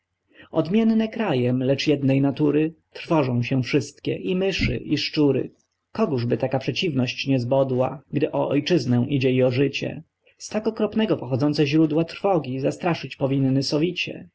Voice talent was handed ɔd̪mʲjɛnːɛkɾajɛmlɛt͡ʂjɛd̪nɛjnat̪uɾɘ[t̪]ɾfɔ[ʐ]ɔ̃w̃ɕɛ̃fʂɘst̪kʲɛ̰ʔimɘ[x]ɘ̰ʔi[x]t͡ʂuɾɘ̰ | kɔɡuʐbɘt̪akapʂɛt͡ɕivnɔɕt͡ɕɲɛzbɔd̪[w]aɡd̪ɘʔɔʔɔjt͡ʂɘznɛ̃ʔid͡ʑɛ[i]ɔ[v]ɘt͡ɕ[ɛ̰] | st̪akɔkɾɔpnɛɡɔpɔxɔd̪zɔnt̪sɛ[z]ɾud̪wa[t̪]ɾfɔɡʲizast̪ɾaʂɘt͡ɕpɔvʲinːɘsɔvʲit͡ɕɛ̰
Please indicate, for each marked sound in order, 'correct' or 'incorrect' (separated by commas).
correct, correct, incorrect, incorrect, correct, correct, incorrect, correct, incorrect, correct